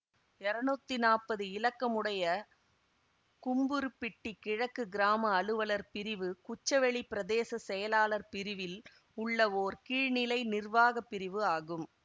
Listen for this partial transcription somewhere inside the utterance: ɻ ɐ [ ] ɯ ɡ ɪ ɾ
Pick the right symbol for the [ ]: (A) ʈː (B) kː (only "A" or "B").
B